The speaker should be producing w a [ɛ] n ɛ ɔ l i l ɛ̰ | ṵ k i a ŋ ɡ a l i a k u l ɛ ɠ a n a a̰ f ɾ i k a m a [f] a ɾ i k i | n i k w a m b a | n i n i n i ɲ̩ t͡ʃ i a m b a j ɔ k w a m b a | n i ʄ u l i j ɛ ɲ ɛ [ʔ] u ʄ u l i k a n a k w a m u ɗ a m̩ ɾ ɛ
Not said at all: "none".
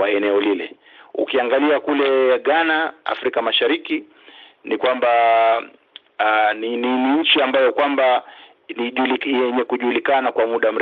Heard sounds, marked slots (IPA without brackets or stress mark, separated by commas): ɛ, ʃ, k